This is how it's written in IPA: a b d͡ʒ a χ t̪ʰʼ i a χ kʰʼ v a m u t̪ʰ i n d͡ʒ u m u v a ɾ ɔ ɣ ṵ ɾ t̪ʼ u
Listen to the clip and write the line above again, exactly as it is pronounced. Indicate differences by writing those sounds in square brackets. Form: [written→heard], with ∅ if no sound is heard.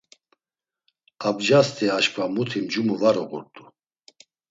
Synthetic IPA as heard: a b d͡ʒ a [χ→s] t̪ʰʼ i a [χ→ʃ] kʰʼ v a m u t̪ʰ i [n→m] d͡ʒ u m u v a ɾ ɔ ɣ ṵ ɾ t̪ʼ u